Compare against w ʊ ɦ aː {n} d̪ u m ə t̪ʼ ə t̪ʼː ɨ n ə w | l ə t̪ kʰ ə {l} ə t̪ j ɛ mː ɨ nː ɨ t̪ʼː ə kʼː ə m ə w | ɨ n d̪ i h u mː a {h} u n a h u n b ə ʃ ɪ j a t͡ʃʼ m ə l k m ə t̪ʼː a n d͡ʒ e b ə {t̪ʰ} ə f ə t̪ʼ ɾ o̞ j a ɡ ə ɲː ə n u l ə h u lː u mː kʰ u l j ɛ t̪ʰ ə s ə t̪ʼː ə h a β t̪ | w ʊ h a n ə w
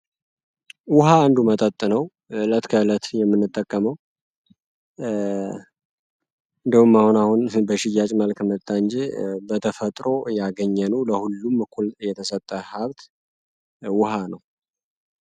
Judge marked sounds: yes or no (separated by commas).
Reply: yes, yes, yes, yes